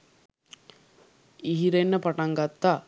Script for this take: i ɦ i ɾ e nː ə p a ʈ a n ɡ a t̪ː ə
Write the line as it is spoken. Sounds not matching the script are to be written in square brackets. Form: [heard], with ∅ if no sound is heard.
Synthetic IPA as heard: i ɦ i ɾ e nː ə p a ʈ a [ŋ] ɡ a t̪ː [a]